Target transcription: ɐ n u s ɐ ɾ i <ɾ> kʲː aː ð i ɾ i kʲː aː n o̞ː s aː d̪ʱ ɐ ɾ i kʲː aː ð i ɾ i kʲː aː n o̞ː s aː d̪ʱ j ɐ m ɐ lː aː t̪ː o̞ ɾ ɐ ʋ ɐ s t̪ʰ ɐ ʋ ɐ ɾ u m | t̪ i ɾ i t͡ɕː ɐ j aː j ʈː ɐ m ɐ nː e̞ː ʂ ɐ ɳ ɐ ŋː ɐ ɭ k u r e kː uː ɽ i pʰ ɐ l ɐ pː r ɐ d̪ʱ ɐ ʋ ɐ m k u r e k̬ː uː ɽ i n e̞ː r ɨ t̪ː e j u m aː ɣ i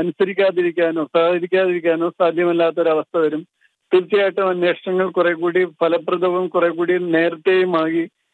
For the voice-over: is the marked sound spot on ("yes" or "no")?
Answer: no